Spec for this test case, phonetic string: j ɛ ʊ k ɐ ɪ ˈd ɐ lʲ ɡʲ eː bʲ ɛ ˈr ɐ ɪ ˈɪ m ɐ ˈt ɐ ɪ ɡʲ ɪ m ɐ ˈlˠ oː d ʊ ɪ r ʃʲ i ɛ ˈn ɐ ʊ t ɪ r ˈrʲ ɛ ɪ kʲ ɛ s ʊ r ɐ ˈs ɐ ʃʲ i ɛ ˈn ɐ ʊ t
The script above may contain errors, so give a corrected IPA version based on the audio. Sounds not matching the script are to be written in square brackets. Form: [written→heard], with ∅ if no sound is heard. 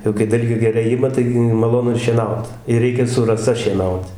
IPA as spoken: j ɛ ʊ k ɐ ɪ ˈd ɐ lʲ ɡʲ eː [bʲ→ɡʲ] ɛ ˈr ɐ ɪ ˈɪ m ɐ ˈt ɐ ɪ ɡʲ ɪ m ɐ ˈlˠ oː [d→n] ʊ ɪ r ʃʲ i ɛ ˈn ɐ ʊ t ɪ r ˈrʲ ɛ ɪ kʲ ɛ s ʊ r ɐ ˈs ɐ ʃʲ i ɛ ˈn ɐ ʊ t